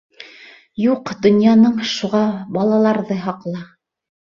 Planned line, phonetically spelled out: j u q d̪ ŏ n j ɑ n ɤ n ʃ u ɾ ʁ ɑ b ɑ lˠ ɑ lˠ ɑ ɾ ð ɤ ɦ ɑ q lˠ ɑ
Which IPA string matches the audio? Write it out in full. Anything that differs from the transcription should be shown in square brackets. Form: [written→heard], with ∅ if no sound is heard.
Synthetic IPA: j u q d̪ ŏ n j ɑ n ɤ [n→ɴ] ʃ u [ɾ→∅] ʁ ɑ b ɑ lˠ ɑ lˠ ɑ ɾ ð ɤ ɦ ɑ q lˠ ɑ